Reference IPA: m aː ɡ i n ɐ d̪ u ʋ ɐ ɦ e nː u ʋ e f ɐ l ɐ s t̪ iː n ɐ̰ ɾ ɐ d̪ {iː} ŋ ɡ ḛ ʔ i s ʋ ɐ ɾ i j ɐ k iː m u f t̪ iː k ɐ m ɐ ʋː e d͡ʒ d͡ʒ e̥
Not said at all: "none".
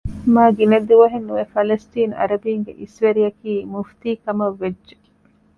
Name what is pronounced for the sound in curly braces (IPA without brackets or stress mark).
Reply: iː